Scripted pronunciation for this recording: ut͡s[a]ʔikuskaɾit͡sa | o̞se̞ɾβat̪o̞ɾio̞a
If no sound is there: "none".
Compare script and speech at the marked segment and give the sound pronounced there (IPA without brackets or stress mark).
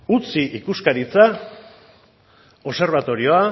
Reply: i